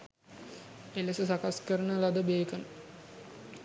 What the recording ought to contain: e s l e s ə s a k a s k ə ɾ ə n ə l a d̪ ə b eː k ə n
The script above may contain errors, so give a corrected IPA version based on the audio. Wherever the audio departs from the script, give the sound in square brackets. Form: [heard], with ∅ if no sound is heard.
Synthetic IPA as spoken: e [∅] l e s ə s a k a s k ə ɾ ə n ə l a d̪ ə b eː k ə n